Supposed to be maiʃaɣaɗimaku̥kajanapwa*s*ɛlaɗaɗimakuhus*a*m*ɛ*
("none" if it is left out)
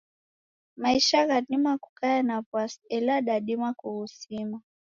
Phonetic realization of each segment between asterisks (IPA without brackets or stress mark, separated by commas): s, i, a